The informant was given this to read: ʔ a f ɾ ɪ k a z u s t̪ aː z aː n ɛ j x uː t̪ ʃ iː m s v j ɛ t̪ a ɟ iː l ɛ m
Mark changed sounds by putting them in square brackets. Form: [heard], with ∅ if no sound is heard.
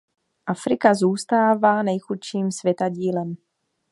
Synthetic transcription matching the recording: ʔ a f ɾ ɪ k a z [uː] s t̪ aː [v] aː n ɛ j x [u] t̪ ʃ iː m s v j ɛ t̪ a ɟ iː l ɛ m

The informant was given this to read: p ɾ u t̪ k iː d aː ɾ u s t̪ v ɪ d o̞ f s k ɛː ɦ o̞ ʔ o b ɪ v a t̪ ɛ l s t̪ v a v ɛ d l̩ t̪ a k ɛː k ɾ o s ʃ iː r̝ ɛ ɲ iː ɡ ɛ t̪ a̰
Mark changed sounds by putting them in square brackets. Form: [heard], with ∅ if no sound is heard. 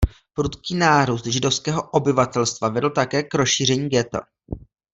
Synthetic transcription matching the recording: p ɾ u t̪ k iː [n] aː ɾ u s t̪ [ʒ] ɪ d o̞ f s k ɛː ɦ o̞ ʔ o b ɪ v a t̪ ɛ l s t̪ v a v ɛ d l̩ t̪ a k ɛː k ɾ o s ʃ iː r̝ ɛ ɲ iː ɡ ɛ t̪ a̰

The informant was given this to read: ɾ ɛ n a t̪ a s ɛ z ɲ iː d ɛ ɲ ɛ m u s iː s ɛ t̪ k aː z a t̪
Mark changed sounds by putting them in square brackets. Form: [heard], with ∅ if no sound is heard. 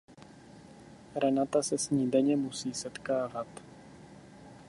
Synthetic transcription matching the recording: ɾ ɛ n a t̪ a s ɛ [s] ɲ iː d ɛ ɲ ɛ m u s iː s ɛ t̪ k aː [v] a t̪

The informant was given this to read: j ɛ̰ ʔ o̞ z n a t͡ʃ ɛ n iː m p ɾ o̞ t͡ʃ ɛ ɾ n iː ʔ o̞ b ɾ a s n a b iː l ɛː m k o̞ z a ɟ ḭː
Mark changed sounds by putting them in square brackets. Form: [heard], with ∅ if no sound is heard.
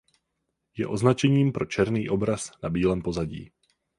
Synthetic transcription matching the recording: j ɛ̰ ʔ o̞ z n a t͡ʃ ɛ [ɲ] iː m p ɾ o̞ t͡ʃ ɛ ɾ n iː ʔ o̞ b ɾ a s n a b iː l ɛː m [p] o̞ z a ɟ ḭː

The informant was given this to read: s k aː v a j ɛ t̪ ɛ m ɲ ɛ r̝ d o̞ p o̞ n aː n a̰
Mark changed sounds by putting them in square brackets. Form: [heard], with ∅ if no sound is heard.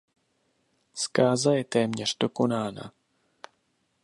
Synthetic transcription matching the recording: s k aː [z] a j ɛ t̪ [ɛː] m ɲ ɛ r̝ d o̞ [k] o̞ n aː n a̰

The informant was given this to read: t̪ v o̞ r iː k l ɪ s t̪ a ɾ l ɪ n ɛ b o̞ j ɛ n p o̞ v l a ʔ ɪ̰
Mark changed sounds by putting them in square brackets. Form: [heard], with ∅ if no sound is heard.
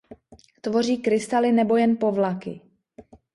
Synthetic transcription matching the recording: t̪ v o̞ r iː k [ɾ] ɪ s t̪ a [∅] l ɪ n ɛ b o̞ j ɛ n p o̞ v l a [k] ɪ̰

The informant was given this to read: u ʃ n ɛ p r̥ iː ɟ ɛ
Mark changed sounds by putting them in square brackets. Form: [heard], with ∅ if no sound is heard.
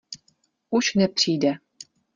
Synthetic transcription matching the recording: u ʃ n ɛ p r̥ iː [d] ɛ

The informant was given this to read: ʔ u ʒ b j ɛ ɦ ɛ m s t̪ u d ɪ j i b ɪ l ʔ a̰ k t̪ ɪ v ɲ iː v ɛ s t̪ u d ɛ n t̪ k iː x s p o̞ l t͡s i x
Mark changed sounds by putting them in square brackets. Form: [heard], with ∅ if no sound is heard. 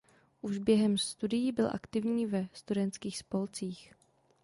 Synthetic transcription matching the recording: ʔ u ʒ b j ɛ ɦ ɛ m s t̪ u d ɪ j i b ɪ l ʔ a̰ k t̪ ɪ v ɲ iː v ɛ s t̪ u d ɛ n t̪ k iː x s p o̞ l t͡s [iː] x

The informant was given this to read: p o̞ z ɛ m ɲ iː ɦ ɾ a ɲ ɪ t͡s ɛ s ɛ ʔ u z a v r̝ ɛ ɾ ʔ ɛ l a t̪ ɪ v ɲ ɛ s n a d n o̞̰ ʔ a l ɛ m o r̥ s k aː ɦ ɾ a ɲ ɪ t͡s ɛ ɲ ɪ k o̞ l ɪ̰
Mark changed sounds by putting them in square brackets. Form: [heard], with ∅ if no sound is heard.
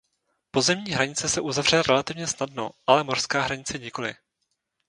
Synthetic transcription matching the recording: p o̞ z ɛ m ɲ iː ɦ ɾ a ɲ ɪ t͡s ɛ s ɛ ʔ u z a v r̝ ɛ ɾ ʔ ɛ l a t̪ ɪ v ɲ ɛ s n a d n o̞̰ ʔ a l ɛ m o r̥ s k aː ɦ ɾ a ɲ ɪ t͡s ɛ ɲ ɪ k o̞ l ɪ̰

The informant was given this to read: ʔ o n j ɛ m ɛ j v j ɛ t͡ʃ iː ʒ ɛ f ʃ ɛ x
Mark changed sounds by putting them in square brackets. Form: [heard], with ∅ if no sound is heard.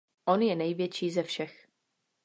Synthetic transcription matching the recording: ʔ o n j ɛ [n] ɛ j v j ɛ t͡ʃ iː [z] ɛ f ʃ ɛ x

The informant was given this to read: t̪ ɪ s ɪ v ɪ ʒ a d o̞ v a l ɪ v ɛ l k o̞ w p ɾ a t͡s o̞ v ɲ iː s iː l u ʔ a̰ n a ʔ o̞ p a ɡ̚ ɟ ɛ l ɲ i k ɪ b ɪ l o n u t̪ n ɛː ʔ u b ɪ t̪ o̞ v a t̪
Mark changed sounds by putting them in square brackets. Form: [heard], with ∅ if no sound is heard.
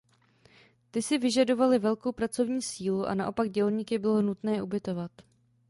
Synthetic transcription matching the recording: t̪ ɪ s ɪ v ɪ ʒ a d o̞ v a l ɪ v ɛ l k o̞ w p ɾ a t͡s o̞ v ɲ iː s iː l u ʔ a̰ n a ʔ o̞ p a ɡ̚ ɟ ɛ l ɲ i k ɪ b ɪ l o n u t̪ n ɛː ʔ u b ɪ t̪ o̞ v a t̪

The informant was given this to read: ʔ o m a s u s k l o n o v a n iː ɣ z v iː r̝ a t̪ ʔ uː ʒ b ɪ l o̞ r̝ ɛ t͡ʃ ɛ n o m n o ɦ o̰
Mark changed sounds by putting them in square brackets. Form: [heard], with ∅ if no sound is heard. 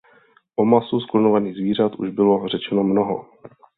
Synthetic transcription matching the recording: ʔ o m a s u s k l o n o v a n iː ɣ z v iː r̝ a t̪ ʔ [u] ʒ b ɪ l o̞ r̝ ɛ t͡ʃ ɛ n o m n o ɦ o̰

